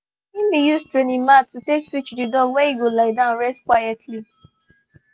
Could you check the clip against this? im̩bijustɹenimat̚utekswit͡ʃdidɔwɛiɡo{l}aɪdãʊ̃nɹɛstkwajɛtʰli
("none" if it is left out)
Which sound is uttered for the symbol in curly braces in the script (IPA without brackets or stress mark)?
l